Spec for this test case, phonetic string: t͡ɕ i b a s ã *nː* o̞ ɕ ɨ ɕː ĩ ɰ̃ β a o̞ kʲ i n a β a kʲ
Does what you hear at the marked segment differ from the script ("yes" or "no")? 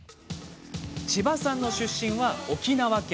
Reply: no